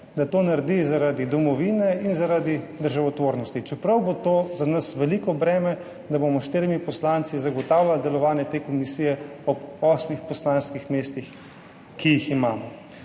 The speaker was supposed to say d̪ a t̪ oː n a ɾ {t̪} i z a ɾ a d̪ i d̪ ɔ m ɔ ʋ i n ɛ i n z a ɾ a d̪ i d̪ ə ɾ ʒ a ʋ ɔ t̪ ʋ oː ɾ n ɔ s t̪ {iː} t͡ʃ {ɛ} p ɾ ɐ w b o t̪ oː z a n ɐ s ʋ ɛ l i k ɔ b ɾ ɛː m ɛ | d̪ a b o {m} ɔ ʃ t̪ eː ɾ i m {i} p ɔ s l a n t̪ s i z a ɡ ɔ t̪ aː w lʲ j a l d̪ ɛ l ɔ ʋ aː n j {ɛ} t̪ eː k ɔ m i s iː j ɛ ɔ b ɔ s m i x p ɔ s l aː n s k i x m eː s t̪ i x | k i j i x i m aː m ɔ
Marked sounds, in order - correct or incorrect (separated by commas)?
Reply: incorrect, incorrect, correct, correct, correct, correct